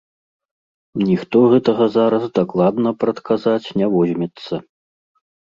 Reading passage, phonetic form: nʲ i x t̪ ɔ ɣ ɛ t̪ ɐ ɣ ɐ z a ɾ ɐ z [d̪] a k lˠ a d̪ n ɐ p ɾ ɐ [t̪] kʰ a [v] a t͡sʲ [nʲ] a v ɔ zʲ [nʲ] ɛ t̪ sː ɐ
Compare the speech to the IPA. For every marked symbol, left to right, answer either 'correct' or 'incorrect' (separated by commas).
correct, correct, incorrect, correct, incorrect